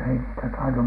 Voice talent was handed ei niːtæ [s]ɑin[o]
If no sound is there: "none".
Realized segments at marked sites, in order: t, u

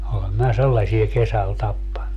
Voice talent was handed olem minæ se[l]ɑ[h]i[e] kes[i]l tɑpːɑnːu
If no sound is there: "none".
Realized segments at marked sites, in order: lː, s, e, æ

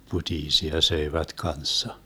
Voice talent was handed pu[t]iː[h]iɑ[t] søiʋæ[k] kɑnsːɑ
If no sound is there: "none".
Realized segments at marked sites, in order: t, s, none, t

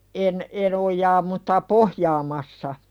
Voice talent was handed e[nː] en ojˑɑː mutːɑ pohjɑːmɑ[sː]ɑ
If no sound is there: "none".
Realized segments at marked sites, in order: n, sː

